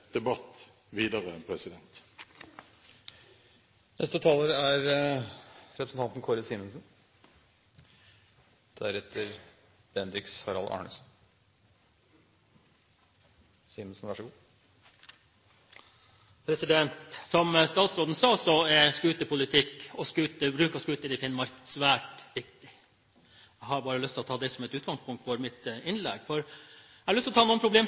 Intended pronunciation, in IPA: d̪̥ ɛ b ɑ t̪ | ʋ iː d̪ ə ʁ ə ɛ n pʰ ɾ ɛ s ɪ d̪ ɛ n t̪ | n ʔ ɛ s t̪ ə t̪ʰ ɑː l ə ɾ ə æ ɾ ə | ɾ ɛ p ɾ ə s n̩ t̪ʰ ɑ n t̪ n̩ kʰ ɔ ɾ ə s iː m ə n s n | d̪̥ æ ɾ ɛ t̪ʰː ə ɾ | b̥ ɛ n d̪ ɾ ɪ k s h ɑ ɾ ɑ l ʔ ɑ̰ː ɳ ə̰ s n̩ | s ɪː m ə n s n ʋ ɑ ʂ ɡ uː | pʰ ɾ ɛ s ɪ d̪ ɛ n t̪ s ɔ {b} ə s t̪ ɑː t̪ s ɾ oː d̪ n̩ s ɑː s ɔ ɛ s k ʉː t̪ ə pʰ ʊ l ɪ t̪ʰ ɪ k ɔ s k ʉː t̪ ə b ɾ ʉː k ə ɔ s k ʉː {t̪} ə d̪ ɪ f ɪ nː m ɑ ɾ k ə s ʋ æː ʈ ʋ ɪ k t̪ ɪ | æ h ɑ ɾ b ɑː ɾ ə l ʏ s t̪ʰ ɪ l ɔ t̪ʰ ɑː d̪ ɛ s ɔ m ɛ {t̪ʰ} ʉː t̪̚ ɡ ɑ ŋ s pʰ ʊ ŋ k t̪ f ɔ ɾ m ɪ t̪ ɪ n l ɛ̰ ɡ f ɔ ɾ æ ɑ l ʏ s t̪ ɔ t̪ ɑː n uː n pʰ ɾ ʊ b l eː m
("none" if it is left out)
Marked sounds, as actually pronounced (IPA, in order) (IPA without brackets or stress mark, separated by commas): m, t̪, t̪